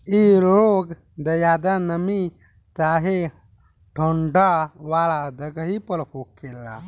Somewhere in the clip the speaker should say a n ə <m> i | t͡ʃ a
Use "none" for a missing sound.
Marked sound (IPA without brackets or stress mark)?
m